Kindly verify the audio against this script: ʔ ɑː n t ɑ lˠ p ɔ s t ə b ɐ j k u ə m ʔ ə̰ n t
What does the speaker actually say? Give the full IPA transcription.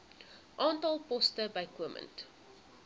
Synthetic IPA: ʔ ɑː n t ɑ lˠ p ɔ s t ə b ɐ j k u ə m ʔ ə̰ n t